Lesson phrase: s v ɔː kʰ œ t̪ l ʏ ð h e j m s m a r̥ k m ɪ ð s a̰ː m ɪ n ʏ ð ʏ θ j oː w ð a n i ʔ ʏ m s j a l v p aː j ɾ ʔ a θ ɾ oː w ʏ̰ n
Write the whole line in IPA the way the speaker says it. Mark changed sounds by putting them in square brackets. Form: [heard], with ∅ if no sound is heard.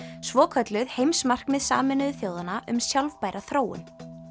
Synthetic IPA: s v ɔː kʰ œ t̪ l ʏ ð h e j m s m a r̥ k m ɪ ð s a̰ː m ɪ n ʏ ð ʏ θ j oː w ð a n [a] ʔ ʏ m s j a l v p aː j ɾ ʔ a θ ɾ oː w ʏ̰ n